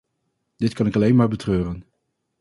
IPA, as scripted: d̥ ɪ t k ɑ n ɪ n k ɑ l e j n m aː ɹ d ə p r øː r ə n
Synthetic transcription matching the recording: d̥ ɪ t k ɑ n ɪ k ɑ l e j n m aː ɹ b ə t r øː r ə n